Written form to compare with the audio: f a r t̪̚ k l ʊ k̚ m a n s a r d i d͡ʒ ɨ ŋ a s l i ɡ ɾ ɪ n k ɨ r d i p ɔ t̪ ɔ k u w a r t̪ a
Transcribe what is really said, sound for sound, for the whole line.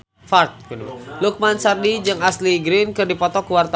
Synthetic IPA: f a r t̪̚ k l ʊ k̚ m a n s a r d i d͡ʒ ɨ ŋ a s l i ɡ ɾ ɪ n k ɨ r d i p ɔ t̪ ɔ k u w a r t̪ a